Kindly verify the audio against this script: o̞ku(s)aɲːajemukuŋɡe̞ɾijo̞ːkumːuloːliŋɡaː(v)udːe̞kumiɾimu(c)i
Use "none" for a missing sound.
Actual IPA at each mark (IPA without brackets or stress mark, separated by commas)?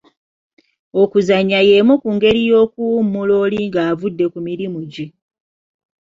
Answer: z, v, ɟ